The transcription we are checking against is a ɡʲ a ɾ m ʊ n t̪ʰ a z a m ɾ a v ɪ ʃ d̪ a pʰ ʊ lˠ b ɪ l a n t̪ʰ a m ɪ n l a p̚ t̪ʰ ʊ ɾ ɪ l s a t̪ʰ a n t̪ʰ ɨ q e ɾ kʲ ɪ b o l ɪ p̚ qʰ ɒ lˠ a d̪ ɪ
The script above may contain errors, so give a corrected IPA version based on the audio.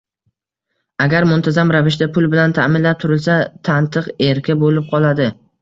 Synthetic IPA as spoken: a ɡʲ a ɾ m ʊ n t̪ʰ a z a m ɾ a v ɪ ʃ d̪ a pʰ ʊ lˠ b ɪ l a n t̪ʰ a m ɪ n l a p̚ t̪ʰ ʊ ɾ ɪ l s a t̪ʰ a n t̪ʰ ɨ q e ɾ kʲ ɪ b o l ɪ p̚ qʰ ɒ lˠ a d̪ ɪ